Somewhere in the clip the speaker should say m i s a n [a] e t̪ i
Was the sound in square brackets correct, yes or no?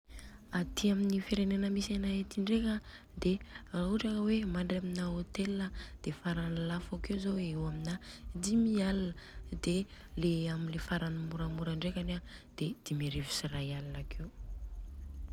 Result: yes